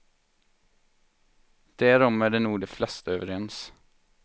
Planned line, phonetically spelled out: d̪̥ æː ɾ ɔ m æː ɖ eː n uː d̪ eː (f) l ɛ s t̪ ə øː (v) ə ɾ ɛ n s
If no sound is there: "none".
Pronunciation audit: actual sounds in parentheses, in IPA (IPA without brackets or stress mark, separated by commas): f, ʋ